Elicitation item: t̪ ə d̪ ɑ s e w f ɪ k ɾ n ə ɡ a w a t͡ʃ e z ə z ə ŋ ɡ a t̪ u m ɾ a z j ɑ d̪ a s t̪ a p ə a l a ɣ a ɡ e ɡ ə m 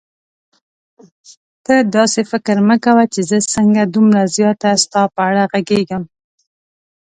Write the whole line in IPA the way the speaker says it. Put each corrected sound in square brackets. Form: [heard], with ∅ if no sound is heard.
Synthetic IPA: t̪ ə d̪ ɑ s e [∅] f ɪ k ɾ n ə [k] a w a t͡ʃ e z ə [s] ə ŋ ɡ a [d̪] u m ɾ a z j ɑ [t̪] a s t̪ [ɑ] p ə a [ɽ] a ɣ a ɡ e ɡ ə m

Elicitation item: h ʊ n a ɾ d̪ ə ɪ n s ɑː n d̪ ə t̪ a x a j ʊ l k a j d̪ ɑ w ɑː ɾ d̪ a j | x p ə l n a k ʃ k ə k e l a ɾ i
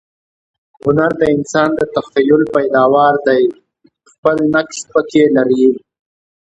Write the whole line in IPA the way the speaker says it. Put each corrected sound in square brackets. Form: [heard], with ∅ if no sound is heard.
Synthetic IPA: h ʊ n a ɾ d̪ ə ɪ n s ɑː n d̪ ə t̪ a x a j ʊ l [p] a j d̪ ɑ w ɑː ɾ d̪ a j | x p ə l n a k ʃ [p] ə k e l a ɾ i

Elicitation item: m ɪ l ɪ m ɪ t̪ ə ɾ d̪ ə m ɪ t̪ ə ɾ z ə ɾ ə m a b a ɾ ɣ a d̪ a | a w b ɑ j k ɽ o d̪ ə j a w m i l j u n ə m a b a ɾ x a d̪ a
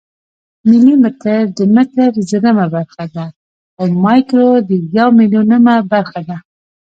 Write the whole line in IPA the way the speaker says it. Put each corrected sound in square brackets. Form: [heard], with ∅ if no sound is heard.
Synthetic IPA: m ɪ l [i] m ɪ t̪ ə ɾ d̪ ə m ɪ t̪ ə ɾ z ə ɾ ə m a b a ɾ [x] a d̪ a | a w [m] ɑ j k [ɾ] o d̪ ə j a w m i l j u n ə m a b a ɾ x a d̪ a

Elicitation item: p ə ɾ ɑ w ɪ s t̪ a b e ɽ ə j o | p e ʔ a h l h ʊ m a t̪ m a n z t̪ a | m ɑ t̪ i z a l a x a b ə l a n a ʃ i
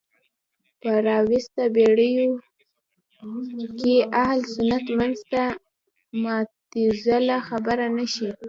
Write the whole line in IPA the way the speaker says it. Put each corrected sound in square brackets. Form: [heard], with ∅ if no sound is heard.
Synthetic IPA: p ə ɾ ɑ w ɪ s t̪ a b e ɽ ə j o | [k] e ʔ a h l [s] ʊ [n] a t̪ m a n z t̪ a | m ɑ t̪ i z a l a x a b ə [ɾ] a n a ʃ i

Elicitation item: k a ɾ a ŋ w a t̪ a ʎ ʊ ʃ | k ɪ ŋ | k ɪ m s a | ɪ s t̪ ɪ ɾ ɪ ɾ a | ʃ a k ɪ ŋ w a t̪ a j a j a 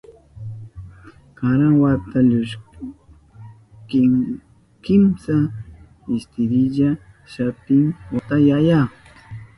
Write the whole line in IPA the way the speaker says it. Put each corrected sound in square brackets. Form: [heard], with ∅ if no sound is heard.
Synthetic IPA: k a ɾ a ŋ w a t̪ a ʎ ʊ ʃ | k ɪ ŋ | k ɪ m s a | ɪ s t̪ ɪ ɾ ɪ [ʎ] a | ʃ a [p] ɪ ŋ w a t̪ a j a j a

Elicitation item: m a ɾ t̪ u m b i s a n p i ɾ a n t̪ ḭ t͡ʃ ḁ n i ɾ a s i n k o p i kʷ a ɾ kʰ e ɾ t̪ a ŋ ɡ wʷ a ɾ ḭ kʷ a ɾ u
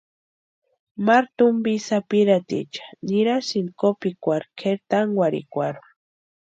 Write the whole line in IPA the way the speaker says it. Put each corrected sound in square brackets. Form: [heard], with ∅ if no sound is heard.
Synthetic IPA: m a ɾ t̪ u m b i s a [∅] p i ɾ a [∅] t̪ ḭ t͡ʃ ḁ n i ɾ a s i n k o p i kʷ a ɾ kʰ e ɾ t̪ a ŋ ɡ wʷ a ɾ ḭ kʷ a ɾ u

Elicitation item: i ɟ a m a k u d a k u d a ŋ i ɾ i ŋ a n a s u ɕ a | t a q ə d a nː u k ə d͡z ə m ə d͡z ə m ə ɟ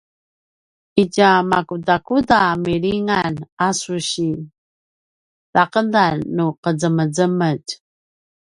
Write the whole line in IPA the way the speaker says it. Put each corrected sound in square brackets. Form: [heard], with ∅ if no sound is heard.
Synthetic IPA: i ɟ a m a k u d a k u d a [m] i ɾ i ŋ a n a s u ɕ [i] | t a q ə d a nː u [q] ə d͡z ə m ə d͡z ə m ə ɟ

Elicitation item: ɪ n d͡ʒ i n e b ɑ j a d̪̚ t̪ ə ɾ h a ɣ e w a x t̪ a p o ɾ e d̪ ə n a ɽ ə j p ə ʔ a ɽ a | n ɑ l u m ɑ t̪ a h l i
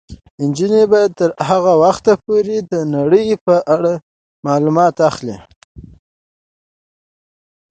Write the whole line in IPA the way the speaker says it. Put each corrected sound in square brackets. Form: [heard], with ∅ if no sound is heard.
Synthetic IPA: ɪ n d͡ʒ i n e b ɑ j a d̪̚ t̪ ə ɾ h a ɣ [a] w a x t̪ a p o ɾ e d̪ ə n a ɽ ə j p ə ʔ a ɽ a | [m] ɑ l u m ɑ t̪ a [x] l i

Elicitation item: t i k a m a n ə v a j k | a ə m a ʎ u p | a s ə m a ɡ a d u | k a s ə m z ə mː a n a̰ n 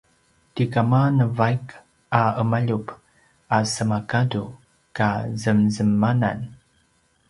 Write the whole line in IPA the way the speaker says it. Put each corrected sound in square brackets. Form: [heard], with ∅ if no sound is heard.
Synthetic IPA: t i k a m a n ə v a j k | a ə m a ʎ u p | a s ə m a [k] a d u | k a [z] ə m z ə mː a n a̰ n

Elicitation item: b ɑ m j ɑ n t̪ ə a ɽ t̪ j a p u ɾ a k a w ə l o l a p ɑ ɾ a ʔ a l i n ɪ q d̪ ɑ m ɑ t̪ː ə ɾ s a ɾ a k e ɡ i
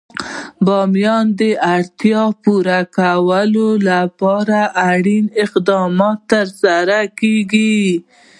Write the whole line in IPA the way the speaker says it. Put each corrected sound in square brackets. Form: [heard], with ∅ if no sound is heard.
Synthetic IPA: b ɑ m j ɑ n [d̪] ə a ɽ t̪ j [ɑ] p u ɾ a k a w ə l o l a p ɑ ɾ a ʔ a [ɽ] i n ɪ q d̪ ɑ m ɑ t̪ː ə ɾ s a ɾ a k e ɡ i

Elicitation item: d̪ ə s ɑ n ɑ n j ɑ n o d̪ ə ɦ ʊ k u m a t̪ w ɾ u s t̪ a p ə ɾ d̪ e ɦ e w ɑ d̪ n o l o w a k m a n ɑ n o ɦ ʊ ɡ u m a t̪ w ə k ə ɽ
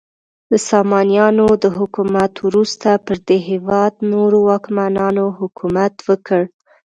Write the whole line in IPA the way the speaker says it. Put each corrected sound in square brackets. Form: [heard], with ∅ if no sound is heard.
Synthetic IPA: d̪ ə s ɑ [m] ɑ n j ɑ n o d̪ ə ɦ ʊ k u m a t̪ w ɾ u s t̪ a p ə ɾ d̪ e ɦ e w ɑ d̪ n o [ɾ] o w [ɑ] k m a n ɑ n o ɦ ʊ [k] u m a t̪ w ə k ə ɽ

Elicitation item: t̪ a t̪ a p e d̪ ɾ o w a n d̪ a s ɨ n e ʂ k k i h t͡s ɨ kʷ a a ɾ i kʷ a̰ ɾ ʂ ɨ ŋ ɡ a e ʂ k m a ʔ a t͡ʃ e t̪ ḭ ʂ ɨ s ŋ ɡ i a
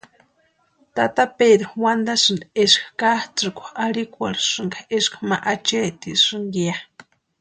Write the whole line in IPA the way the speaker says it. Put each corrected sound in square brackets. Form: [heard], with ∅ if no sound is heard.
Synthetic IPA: t̪ a t̪ a p e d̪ ɾ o w a n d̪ a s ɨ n e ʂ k k [a] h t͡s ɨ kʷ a a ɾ i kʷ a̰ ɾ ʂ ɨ ŋ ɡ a e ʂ k m a ʔ a t͡ʃ e t̪ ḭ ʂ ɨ [∅] ŋ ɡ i a

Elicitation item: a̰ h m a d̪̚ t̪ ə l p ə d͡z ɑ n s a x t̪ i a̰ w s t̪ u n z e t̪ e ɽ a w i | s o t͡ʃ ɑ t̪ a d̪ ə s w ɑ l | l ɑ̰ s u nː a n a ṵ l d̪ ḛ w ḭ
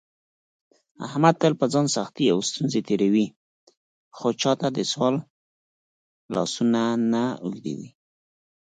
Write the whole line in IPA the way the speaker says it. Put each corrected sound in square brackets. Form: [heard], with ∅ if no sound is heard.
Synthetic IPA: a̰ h m a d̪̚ t̪ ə l p ə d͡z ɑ n s a x t̪ i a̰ w s t̪ u n z e t̪ e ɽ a w i | [x] o t͡ʃ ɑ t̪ a d̪ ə s w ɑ l | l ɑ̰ s u [n] a n a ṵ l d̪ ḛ w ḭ

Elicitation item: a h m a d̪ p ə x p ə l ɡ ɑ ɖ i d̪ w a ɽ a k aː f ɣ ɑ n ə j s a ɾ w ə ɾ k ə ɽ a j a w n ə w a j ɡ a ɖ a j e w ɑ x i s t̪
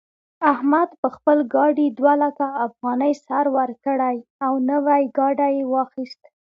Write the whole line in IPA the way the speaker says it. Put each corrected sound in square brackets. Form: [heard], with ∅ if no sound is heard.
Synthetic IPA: a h m a d̪ p ə x p ə l ɡ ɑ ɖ i d̪ w a [l] a k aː f ɣ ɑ n ə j s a ɾ w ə ɾ k ə ɽ a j a w n ə w a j ɡ [ɑ] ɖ a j e w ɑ x i s t̪

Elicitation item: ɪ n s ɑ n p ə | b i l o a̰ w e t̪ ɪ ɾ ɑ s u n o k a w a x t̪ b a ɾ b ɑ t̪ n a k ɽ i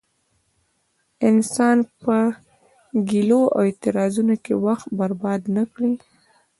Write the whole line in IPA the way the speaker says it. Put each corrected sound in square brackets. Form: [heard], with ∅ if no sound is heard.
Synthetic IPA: ɪ n s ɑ n p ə | [ɡ] i l o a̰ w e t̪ ɪ ɾ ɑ [z] u n o k [e] w a x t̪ b a ɾ b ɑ [d̪] n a k ɽ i

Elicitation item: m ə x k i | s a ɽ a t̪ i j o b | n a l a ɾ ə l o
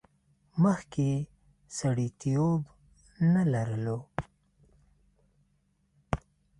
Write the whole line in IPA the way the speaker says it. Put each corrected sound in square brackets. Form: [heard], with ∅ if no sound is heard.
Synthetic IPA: m ə x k [e] | s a ɽ [i] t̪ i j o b | n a l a ɾ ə l o

